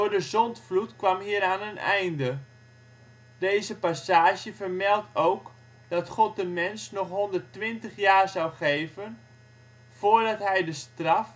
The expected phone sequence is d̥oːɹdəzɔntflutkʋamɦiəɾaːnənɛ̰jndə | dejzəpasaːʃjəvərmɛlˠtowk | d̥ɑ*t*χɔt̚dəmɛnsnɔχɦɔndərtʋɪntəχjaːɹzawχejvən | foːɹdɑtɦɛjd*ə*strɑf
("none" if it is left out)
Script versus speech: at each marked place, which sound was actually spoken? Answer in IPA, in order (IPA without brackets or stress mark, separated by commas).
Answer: t, ə